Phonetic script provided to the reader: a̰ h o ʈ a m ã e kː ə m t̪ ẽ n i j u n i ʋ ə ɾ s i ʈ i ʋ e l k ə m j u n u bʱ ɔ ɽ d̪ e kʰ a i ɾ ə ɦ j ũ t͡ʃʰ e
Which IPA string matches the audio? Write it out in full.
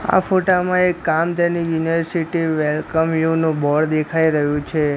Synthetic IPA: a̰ f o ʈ a m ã e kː a m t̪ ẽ n i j u n i ʋ ə ɾ s i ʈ i ʋ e l k ə m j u n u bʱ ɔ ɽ d̪ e kʰ a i ɾ ə ɦ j ũ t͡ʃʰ e